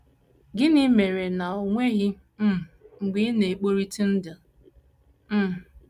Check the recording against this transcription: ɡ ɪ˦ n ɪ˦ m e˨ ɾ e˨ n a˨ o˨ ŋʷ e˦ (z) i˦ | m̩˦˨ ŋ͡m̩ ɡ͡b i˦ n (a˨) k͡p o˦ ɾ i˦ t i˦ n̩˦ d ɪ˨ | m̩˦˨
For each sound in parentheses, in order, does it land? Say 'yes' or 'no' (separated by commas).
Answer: no, no